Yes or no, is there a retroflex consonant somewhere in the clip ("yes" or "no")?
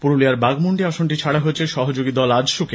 yes